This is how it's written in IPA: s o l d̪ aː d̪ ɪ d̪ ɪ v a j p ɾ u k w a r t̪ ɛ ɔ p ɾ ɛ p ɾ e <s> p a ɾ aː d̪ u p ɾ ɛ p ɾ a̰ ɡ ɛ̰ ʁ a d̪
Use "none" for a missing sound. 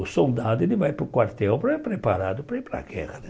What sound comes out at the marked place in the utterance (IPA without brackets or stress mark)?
none